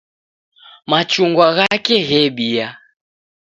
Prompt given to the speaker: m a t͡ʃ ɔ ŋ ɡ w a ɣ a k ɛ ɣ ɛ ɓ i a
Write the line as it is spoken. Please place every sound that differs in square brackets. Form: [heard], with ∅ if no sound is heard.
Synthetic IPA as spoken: m a t͡ʃ [u] ŋ ɡ w a ɣ a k ɛ ɣ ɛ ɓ i a